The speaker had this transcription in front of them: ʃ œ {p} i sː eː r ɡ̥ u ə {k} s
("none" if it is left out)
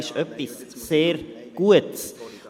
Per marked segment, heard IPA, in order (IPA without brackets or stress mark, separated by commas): p, t